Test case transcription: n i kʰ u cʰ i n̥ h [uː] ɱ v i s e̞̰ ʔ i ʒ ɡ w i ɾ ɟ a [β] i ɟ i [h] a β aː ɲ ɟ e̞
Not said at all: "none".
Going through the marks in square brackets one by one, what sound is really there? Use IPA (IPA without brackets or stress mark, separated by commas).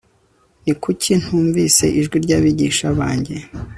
uː, β, ʃ